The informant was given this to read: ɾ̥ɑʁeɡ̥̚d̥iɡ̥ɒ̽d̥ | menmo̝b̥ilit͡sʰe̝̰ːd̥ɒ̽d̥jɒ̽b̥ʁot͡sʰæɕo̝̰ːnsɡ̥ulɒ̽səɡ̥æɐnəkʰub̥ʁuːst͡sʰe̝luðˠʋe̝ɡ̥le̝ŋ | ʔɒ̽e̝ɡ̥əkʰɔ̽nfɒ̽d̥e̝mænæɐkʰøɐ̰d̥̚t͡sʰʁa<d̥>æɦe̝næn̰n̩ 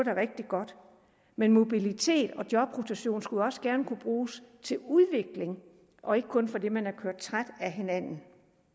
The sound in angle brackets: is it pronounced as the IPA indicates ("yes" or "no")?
yes